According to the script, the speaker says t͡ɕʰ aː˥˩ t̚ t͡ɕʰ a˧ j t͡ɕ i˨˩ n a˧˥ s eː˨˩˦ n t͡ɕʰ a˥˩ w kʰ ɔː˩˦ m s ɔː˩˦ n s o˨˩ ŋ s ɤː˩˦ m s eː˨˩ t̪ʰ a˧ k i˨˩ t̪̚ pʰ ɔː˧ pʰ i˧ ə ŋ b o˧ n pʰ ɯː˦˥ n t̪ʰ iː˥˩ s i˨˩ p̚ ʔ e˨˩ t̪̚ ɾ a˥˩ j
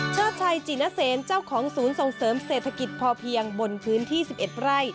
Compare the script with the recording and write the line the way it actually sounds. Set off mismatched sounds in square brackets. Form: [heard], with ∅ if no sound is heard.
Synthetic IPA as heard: t͡ɕʰ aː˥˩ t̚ t͡ɕʰ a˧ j t͡ɕ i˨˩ n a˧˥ s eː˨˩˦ n [t͡ɕ] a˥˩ w kʰ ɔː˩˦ [ŋ] s [uː˩˦] n s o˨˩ ŋ s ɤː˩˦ m s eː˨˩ t̪ʰ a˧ k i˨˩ t̪̚ pʰ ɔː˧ pʰ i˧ ə ŋ b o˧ n pʰ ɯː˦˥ n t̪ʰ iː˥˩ s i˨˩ p̚ ʔ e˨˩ t̪̚ ɾ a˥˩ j